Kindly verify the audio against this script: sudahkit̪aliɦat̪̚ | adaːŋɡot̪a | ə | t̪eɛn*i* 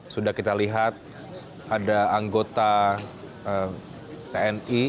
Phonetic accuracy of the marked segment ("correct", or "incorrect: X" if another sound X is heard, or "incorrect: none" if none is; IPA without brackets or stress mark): correct